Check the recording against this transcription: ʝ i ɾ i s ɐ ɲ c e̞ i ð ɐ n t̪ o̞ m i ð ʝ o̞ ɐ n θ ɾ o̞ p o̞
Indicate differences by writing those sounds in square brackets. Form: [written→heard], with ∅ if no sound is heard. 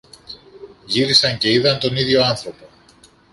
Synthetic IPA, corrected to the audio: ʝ i ɾ i s ɐ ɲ c e̞ i ð ɐ n t̪ o̞ [m→n] i ð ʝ o̞ ɐ n θ ɾ o̞ p o̞